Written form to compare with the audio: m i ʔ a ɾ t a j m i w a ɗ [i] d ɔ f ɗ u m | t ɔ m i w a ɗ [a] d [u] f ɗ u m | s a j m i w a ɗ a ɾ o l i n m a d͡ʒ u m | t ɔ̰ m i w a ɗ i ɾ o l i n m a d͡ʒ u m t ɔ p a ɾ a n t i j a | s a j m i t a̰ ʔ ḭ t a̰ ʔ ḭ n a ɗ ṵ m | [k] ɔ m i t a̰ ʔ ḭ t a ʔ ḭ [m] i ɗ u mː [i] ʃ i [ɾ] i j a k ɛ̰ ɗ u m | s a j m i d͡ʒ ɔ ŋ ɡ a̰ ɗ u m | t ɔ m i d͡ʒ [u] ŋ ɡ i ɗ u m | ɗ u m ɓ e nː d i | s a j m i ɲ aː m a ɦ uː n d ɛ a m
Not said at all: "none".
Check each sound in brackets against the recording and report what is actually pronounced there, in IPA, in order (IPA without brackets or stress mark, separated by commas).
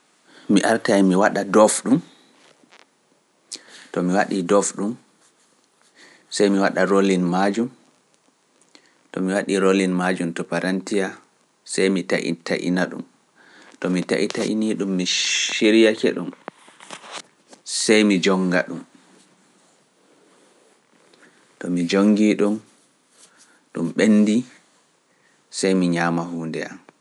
a, i, ɔ, t, n, i, ɾ, o